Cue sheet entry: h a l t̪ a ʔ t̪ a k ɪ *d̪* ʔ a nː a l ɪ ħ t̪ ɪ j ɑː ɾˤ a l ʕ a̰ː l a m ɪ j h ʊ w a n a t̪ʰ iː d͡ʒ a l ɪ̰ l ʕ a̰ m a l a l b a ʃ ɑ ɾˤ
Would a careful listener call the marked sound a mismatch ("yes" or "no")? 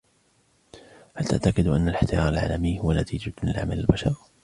no